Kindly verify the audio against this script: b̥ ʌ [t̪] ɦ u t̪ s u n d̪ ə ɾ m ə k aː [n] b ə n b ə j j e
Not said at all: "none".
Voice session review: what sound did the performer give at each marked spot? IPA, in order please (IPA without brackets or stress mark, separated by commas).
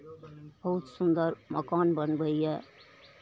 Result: none, n